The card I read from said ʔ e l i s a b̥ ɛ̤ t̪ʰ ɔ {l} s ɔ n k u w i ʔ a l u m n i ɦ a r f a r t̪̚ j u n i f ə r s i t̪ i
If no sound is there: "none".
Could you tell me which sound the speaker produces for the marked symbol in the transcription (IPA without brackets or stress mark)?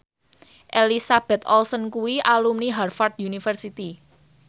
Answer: l